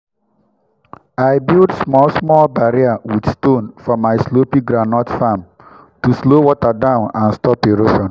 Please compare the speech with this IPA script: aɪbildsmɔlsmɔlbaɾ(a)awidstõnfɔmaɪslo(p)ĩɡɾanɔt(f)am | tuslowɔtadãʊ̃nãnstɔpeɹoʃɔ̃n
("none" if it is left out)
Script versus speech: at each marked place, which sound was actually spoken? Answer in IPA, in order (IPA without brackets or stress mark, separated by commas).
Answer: i, p, f